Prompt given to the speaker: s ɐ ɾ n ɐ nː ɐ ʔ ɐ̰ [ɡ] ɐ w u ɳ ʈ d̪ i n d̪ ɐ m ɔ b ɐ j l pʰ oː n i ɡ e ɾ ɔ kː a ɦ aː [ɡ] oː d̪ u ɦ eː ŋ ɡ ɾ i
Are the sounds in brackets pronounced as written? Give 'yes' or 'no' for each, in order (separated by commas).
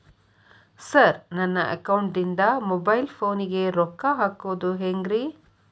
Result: no, no